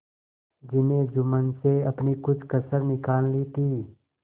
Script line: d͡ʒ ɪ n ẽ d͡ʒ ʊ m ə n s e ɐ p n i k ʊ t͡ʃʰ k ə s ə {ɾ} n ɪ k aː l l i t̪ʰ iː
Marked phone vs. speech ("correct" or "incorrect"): correct